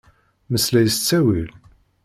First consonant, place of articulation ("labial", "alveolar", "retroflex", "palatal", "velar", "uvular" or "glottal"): labial